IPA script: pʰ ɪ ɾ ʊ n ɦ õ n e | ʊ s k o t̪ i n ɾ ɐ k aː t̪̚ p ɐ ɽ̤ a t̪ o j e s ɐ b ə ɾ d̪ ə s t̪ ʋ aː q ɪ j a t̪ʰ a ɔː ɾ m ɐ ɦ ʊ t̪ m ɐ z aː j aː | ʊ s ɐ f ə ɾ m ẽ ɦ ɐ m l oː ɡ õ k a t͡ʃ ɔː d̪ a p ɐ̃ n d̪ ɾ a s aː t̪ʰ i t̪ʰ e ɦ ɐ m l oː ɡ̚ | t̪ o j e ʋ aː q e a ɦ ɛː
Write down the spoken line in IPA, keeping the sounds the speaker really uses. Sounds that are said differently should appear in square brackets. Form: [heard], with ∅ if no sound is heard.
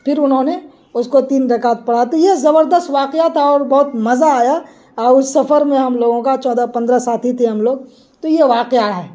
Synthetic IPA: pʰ ɪ ɾ ʊ n ɦ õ n e | ʊ s k o t̪ [iː] n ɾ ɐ k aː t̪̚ p ɐ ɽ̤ a t̪ o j e [z] ɐ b ə ɾ d̪ ə s t̪ ʋ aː q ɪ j a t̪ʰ a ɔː ɾ [b] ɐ ɦ ʊ t̪ m ɐ z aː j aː | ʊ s ɐ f ə ɾ m ẽ ɦ ɐ m l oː ɡ õ k a t͡ʃ ɔː d̪ a p ɐ̃ n d̪ ɾ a s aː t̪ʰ i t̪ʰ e ɦ ɐ m l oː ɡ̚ | t̪ o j e ʋ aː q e a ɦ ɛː